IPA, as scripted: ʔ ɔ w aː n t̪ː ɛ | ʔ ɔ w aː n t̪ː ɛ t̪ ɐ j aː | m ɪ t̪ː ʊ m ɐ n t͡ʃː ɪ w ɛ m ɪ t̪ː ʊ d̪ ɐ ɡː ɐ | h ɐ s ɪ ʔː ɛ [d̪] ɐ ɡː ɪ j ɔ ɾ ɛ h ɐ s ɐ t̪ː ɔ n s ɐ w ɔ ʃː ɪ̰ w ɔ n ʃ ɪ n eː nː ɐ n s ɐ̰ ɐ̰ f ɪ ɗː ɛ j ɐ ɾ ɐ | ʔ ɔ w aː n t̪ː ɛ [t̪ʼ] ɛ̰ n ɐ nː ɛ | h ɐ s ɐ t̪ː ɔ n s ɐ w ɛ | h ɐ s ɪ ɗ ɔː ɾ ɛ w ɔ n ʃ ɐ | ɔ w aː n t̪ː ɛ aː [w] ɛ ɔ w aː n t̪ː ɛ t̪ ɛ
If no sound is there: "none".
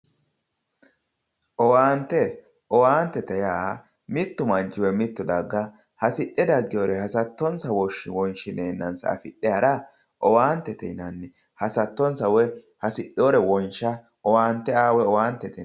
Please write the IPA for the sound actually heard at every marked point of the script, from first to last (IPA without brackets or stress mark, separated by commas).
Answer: d̪, t̪, w